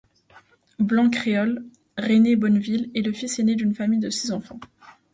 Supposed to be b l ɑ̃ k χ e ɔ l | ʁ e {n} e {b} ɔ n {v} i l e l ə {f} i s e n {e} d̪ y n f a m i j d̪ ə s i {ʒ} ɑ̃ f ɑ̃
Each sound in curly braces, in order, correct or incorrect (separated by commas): correct, correct, correct, correct, correct, incorrect